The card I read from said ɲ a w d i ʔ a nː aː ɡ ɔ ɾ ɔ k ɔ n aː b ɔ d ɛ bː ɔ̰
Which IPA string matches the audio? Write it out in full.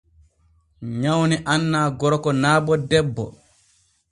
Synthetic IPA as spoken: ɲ a w n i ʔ a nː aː ɡ ɔ ɾ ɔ k ɔ n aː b ɔ d ɛ bː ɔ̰